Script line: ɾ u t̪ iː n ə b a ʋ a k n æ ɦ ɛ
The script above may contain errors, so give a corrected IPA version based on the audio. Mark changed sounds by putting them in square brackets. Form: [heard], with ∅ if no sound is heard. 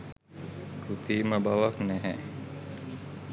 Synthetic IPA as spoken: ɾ u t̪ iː [m] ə b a ʋ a k n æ ɦ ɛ